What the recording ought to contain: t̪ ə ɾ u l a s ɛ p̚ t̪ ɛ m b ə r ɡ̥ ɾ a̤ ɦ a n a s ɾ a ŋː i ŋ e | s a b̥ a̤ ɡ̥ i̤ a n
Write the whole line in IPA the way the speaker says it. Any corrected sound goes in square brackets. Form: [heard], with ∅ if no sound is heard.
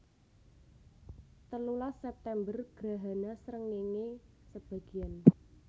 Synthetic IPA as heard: t̪ ə [l] u l a s ɛ p̚ t̪ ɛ m b ə r ɡ̥ ɾ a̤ ɦ a n a s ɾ [ə] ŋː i ŋ e | s [ə] b̥ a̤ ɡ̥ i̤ a n